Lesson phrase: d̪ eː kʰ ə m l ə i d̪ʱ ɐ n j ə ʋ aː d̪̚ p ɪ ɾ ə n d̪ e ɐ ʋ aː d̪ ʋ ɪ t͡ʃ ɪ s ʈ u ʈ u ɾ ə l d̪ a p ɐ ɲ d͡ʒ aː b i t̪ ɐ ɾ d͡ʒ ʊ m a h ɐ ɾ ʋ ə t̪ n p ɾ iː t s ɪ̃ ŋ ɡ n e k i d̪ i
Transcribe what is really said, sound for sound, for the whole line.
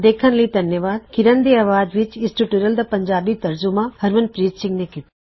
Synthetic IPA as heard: d̪ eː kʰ ə n l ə i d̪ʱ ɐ n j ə ʋ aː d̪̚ k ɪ ɾ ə n d̪ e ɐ ʋ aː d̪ ʋ ɪ t͡ʃ ɪ s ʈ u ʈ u ɾ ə l d̪ a p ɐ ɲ d͡ʒ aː b i t̪ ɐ ɾ d͡ʒ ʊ m a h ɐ ɾ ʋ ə n p ɾ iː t s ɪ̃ ŋ ɡ n e k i t̪ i